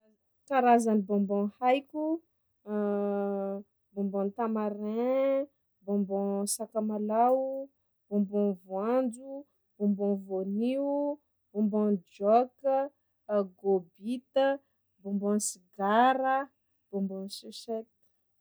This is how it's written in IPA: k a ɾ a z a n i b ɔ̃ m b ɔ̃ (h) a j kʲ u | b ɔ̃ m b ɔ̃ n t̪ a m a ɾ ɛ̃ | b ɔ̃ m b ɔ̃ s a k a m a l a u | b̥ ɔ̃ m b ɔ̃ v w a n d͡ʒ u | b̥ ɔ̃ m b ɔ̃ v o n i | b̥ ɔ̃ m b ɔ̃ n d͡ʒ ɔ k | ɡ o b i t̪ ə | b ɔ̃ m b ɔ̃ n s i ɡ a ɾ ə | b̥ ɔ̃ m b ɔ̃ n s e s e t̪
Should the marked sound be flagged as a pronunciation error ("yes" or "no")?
no